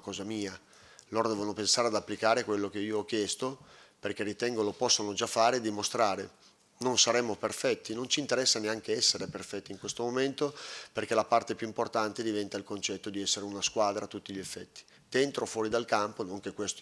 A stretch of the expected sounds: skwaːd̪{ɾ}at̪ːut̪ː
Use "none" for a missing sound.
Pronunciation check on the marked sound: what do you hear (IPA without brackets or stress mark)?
ɾ